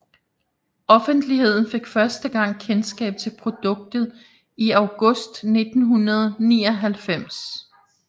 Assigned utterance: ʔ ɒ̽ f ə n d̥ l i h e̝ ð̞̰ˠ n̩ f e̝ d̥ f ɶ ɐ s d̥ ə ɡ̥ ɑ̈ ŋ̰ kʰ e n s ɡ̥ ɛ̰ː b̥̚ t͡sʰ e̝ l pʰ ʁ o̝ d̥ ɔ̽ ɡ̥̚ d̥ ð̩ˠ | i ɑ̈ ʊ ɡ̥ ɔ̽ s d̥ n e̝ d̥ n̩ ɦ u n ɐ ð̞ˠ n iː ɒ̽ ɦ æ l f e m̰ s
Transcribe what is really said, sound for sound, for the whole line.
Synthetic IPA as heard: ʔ ɒ̽ f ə n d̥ l i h e̝ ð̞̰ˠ n̩ f e̝ ɡ̥ f ɶ ɐ s d̥ ə ɡ̥ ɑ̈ ŋ̰ kʰ e n s ɡ̥ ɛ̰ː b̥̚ t͡sʰ e̝ l pʰ ʁ o̝ d̥ ɔ̽ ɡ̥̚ d̥ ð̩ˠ | i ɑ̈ ʊ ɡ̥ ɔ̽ s d̥ n e̝ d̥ n̩ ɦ u n ɐ ð̞ˠ n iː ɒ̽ ɦ æ l f e m̰ s